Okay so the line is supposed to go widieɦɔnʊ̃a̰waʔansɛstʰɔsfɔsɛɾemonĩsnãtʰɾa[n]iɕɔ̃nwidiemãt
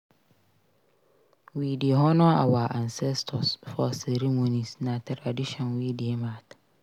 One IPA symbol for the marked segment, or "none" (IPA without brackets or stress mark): d